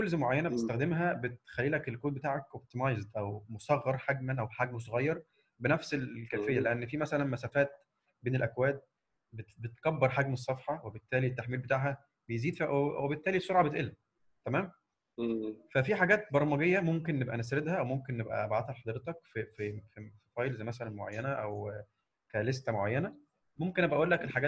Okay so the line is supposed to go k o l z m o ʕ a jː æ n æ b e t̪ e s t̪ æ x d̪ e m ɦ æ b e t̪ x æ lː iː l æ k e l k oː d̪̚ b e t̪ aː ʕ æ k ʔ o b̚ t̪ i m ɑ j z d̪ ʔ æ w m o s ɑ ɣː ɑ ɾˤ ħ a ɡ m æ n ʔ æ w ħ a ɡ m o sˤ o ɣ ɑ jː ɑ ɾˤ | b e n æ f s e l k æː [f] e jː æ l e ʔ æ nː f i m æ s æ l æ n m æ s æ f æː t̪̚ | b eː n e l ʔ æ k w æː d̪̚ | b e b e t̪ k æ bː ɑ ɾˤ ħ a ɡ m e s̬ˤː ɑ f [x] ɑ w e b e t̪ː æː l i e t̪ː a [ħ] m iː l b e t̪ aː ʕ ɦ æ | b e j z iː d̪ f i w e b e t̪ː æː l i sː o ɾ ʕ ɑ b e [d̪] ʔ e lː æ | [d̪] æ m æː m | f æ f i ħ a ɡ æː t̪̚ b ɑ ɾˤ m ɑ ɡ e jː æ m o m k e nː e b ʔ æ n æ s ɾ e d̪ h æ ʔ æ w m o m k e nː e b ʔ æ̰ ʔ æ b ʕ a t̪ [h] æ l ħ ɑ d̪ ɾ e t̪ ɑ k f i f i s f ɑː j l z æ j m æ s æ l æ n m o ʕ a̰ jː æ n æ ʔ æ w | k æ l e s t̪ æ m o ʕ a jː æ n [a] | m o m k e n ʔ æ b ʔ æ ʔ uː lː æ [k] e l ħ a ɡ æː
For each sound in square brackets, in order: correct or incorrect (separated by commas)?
correct, incorrect, correct, incorrect, incorrect, correct, incorrect, correct